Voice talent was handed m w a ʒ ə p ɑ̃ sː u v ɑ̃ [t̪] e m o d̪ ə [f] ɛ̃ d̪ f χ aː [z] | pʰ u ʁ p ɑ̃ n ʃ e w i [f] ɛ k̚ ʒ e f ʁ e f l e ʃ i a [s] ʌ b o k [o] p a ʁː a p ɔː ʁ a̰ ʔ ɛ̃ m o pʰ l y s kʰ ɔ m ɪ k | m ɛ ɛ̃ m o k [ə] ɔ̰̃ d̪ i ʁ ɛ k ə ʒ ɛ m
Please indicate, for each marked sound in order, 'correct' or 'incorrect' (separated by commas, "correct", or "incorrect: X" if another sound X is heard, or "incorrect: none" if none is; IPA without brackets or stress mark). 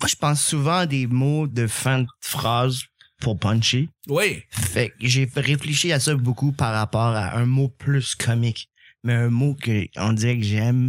incorrect: d̪, correct, correct, correct, correct, incorrect: u, correct